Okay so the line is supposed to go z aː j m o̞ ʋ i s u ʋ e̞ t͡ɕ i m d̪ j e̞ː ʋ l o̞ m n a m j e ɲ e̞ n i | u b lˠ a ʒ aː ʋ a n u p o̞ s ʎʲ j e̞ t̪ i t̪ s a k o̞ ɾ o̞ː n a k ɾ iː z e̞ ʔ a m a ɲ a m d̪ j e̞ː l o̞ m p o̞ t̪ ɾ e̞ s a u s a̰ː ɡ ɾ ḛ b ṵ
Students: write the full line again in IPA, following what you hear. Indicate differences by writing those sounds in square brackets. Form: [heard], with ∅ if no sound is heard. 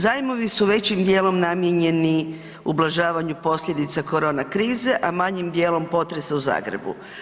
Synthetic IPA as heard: z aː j m o̞ ʋ i s u ʋ e̞ t͡ɕ i m d̪ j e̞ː [∅] l o̞ m n a m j e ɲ e̞ n i | u b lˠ a ʒ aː ʋ a [ɲ] u p o̞ s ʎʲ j e̞ [d̪] i t̪ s a k o̞ ɾ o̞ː n a k ɾ iː z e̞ ʔ a m a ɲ [i] m d̪ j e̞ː l o̞ m p o̞ t̪ ɾ e̞ s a u [z] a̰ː ɡ ɾ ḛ b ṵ